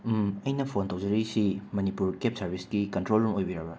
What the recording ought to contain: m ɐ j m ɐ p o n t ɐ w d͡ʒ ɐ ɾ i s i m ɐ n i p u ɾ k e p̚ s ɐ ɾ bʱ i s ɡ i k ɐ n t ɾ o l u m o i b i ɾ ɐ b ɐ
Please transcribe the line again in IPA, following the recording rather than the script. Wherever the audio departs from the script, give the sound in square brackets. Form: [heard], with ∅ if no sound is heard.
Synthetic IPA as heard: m ɐ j [n] ɐ [pʰ] o n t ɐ w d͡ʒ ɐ ɾ i s i m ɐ n i p u ɾ k e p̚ s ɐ ɾ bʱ i s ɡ i k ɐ n t ɾ o l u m o [j] b i ɾ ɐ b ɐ